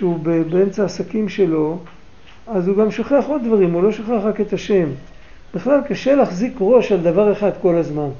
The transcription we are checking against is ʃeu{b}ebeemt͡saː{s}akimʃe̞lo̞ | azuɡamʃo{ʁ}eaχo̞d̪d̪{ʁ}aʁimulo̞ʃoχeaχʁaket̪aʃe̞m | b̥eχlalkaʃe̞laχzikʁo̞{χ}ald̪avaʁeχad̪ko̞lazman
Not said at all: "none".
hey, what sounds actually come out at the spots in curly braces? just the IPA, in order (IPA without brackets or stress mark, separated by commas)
b, s, χ, v, ʃ